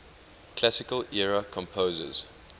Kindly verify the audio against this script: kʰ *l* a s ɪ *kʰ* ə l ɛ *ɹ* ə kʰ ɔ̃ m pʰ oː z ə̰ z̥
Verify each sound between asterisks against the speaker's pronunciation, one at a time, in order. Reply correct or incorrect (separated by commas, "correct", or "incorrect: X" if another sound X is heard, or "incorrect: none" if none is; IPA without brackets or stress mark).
correct, incorrect: k, correct